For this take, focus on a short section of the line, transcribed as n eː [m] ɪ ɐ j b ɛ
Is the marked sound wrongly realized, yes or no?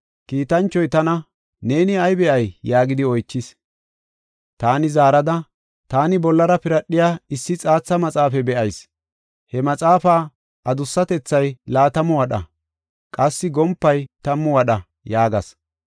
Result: yes